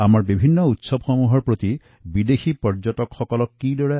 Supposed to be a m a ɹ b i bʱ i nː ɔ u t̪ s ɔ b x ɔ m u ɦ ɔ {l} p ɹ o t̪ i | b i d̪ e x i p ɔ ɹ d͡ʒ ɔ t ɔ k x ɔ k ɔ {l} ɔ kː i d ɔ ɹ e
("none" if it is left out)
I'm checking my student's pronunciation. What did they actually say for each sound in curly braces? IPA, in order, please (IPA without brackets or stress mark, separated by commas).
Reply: ɹ, l